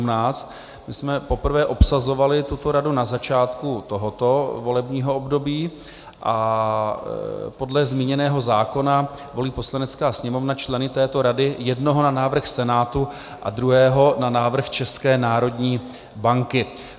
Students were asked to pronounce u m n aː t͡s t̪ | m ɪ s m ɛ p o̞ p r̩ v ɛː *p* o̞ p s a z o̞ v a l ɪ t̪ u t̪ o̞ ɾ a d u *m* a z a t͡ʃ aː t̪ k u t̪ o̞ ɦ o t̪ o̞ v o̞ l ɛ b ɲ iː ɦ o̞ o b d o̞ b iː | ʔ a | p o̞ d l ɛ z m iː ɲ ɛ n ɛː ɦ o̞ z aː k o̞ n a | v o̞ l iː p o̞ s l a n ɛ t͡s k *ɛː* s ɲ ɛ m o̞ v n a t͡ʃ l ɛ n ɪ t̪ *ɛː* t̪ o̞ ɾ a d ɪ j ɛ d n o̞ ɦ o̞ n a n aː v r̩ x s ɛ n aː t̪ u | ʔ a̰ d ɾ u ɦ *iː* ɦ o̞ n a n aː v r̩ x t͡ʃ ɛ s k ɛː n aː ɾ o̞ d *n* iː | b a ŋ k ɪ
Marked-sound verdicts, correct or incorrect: incorrect: ʔ, incorrect: n, incorrect: aː, correct, incorrect: ɛː, incorrect: ɲ

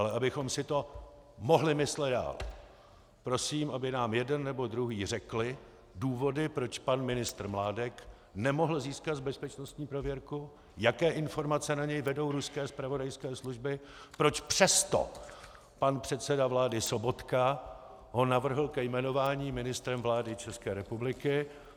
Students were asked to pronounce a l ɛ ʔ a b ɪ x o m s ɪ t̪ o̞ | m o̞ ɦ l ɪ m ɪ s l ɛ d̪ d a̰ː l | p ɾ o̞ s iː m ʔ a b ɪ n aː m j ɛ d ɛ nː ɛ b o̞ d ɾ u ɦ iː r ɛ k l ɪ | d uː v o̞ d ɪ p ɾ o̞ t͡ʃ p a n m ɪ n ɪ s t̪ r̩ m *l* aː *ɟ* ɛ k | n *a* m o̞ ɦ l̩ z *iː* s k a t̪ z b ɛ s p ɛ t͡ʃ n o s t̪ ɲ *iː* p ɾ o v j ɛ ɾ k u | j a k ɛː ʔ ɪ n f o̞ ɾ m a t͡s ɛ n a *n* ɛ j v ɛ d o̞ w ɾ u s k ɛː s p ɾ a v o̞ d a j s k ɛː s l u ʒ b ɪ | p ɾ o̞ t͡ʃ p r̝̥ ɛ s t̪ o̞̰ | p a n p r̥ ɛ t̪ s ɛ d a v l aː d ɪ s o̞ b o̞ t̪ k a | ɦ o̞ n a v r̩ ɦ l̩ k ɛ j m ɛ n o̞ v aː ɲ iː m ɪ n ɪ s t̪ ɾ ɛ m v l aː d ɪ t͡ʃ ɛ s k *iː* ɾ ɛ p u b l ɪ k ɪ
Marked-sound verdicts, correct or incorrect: correct, incorrect: d, incorrect: ɛ, correct, correct, incorrect: ɲ, incorrect: ɛː

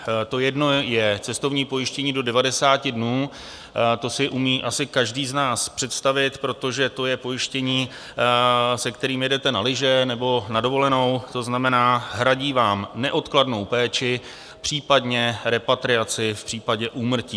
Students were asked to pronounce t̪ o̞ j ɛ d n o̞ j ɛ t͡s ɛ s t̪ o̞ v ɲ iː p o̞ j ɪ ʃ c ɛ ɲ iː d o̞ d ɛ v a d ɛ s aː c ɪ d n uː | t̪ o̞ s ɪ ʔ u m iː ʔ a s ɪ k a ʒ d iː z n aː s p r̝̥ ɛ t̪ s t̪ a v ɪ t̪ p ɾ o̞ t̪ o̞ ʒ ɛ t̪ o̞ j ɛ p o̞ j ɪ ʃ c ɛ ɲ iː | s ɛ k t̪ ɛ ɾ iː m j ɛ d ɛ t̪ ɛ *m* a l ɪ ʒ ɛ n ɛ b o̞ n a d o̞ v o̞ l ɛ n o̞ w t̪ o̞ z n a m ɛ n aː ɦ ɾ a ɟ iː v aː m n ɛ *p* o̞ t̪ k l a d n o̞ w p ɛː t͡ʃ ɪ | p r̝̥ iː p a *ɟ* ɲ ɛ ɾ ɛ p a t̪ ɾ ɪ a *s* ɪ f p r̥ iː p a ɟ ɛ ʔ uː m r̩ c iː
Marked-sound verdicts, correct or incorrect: incorrect: n, incorrect: ʔ, incorrect: d, incorrect: t͡s

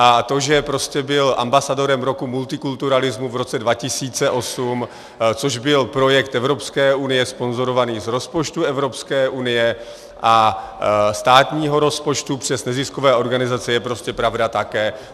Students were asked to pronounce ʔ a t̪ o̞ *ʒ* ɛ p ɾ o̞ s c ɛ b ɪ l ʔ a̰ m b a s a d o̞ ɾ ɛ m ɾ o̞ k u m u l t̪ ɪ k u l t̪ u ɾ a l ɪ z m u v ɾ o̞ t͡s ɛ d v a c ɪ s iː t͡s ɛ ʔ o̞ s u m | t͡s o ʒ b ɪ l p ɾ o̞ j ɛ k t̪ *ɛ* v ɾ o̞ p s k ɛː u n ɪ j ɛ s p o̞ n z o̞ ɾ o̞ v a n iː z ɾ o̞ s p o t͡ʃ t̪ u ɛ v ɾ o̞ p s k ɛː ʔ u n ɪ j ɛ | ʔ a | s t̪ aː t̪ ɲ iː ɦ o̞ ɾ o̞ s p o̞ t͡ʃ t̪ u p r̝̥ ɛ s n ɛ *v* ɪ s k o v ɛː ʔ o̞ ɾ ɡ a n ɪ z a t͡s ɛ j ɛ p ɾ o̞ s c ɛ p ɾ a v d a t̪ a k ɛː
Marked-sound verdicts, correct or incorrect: correct, correct, incorrect: z

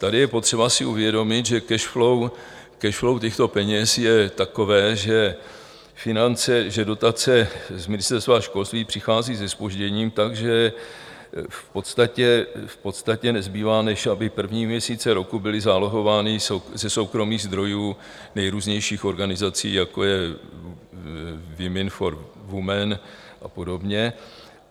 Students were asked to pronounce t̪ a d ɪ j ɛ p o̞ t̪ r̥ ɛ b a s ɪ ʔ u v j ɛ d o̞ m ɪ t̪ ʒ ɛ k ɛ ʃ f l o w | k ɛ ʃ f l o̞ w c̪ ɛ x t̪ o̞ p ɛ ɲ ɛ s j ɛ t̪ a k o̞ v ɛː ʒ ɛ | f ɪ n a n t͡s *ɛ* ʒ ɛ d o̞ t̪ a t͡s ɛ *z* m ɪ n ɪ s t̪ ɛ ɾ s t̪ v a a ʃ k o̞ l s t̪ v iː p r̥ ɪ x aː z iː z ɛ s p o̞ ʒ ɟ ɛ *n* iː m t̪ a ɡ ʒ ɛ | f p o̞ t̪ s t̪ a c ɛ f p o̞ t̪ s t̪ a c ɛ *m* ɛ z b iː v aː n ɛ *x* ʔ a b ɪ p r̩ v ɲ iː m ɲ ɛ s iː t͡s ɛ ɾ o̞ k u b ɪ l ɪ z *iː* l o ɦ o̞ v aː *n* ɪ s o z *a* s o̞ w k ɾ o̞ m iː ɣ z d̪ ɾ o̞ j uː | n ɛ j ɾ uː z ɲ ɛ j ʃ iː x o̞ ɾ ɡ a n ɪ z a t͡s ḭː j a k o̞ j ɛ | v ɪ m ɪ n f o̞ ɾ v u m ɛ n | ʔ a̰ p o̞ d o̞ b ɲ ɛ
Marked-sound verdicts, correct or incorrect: correct, correct, incorrect: ɲ, incorrect: n, incorrect: ʃ, incorrect: aː, correct, incorrect: ɛ

